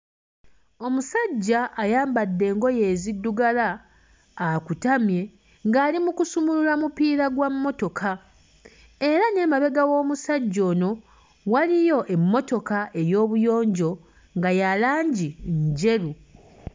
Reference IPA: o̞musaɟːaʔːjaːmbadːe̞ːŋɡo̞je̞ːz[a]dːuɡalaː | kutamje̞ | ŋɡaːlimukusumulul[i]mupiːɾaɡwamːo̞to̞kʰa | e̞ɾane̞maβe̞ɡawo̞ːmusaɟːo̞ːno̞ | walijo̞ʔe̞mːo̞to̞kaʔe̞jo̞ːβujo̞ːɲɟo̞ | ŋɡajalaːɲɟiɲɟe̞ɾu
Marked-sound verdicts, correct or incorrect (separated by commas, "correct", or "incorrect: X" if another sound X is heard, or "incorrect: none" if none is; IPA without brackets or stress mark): incorrect: i, incorrect: a